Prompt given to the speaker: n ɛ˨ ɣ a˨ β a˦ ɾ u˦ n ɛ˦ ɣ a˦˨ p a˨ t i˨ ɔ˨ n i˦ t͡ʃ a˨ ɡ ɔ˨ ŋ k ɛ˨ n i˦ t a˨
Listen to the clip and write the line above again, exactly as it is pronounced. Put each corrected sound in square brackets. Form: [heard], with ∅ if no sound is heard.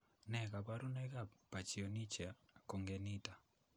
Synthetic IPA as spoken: n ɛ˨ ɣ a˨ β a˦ ɾ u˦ n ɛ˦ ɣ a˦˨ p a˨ [t͡ʃ] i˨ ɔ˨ n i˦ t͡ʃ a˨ [k] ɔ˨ ŋ [ɡ] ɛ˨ n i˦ t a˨